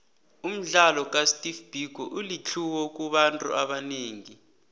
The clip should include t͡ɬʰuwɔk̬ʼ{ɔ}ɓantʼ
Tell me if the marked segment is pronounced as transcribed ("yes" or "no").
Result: no